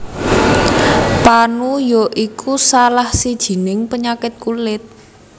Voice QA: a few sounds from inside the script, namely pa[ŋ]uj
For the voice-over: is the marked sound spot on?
no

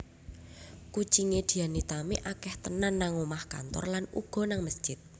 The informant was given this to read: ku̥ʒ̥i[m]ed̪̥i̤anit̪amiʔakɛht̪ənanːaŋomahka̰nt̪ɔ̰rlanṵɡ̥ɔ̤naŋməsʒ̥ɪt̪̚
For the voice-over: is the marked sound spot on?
no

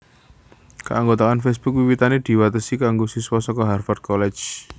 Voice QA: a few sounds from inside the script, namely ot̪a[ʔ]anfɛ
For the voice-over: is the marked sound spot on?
no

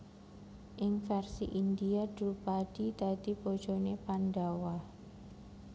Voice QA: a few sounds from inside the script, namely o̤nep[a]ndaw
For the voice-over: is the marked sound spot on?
yes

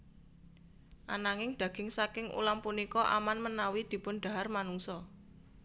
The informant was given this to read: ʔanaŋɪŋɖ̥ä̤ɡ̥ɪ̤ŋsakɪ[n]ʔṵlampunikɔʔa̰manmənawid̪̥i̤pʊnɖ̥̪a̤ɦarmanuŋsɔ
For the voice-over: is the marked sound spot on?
no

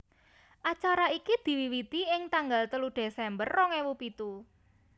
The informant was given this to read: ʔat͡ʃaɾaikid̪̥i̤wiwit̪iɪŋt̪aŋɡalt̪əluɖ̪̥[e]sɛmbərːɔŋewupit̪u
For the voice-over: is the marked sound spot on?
yes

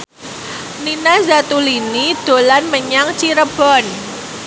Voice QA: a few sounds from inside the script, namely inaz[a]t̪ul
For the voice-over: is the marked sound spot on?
yes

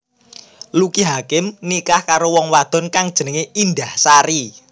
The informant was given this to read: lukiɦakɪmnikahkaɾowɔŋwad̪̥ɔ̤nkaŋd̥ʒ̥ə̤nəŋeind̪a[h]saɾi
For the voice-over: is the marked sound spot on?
yes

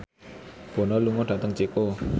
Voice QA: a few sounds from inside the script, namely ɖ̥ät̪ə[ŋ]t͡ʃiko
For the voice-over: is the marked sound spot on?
yes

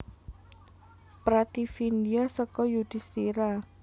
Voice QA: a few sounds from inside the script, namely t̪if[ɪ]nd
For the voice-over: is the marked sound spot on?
no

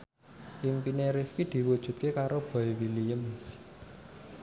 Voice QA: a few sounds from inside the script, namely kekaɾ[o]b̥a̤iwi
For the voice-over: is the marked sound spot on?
yes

